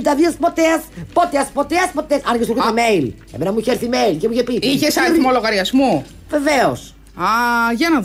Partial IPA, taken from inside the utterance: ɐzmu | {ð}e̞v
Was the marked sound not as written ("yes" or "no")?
yes